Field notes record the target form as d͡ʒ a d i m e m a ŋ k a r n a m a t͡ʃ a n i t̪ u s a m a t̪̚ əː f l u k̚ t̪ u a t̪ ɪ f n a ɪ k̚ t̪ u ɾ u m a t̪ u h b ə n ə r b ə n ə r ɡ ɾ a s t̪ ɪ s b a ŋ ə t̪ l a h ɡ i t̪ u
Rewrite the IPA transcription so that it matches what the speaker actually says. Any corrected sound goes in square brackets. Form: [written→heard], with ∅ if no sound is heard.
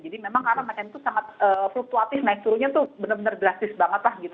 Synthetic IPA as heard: d͡ʒ a d i m e m a ŋ k a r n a m a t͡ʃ a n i t̪ u s a [m→ŋ] a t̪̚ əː f l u k̚ t̪ u a t̪ ɪ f n a ɪ k̚ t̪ u ɾ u [m→ɲ] a t̪ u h b ə n ə r b ə n ə r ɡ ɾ a s t̪ ɪ s b a ŋ ə t̪ l a h ɡ i t̪ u